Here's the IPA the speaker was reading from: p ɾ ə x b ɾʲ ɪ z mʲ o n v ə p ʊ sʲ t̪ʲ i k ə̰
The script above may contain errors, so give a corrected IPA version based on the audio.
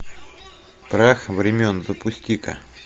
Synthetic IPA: p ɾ a x v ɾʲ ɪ mʲ o n z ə p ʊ sʲ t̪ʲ i k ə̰